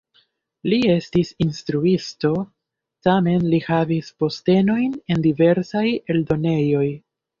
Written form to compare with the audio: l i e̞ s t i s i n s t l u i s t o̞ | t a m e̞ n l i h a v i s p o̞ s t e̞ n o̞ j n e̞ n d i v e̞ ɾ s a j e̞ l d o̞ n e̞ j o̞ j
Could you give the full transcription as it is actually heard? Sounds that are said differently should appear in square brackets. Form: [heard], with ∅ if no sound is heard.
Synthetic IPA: l i e̞ s t i s i n s t [ɾ] u i s t o̞ | t a m e̞ n l i h a v i s p o̞ s t e̞ n o̞ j n e̞ n d i v e̞ ɾ s a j e̞ l d o̞ n e̞ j o̞ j